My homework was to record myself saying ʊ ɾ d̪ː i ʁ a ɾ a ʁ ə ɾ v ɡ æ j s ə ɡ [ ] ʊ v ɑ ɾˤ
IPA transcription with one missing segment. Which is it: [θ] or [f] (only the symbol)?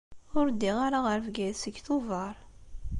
θ